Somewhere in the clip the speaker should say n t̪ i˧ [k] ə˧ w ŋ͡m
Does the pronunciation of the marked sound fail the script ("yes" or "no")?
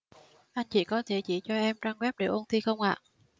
yes